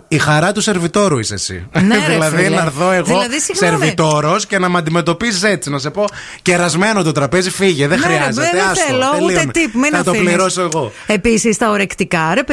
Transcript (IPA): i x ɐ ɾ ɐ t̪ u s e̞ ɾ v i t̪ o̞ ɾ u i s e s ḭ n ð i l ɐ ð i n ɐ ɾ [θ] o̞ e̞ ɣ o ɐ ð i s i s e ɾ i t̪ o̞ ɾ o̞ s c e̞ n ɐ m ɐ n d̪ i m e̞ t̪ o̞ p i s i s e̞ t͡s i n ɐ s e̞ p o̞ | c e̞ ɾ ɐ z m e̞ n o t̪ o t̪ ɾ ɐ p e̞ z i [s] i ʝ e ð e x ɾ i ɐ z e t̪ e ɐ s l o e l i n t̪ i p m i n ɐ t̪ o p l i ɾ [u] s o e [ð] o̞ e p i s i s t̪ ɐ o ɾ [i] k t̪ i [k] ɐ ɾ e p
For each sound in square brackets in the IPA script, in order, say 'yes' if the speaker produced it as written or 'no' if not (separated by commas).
yes, no, no, no, no, yes